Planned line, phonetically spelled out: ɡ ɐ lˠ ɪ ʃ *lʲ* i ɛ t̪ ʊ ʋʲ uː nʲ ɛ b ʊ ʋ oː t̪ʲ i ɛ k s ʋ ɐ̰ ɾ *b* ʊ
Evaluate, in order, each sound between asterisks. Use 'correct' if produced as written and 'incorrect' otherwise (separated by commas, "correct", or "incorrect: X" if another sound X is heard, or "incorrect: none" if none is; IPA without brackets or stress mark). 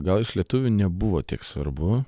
correct, correct